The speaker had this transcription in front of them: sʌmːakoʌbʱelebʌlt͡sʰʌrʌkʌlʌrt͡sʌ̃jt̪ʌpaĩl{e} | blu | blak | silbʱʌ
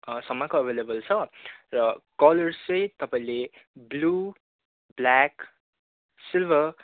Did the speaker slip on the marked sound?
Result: no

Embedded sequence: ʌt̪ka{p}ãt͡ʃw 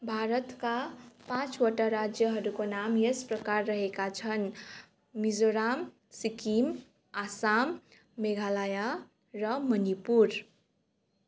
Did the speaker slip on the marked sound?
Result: no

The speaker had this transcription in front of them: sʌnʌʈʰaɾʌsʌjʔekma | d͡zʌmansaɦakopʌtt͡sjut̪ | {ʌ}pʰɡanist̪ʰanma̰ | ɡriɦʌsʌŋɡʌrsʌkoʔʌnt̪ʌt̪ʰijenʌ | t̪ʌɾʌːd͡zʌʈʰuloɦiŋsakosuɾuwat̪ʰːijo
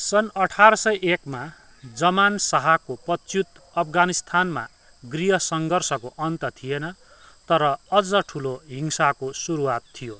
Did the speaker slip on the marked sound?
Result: no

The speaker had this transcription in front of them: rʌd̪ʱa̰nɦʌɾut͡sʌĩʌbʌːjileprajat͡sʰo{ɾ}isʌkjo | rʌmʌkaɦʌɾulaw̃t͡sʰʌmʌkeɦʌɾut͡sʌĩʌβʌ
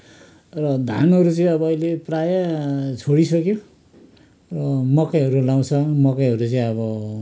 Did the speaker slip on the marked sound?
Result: yes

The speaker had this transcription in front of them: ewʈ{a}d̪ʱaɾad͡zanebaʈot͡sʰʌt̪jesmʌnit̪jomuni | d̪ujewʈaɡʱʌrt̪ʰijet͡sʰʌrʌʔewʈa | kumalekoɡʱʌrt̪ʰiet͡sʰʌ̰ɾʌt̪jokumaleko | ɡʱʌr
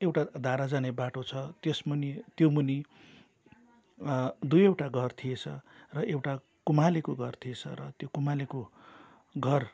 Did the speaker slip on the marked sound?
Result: no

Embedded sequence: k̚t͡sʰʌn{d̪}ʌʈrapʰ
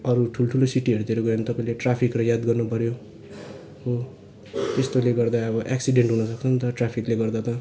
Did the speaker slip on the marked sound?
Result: yes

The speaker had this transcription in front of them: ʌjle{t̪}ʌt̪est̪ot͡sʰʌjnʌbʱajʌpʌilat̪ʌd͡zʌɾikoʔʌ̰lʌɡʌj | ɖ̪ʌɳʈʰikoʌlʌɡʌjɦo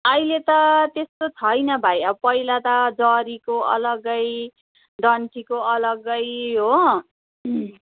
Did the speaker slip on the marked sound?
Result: no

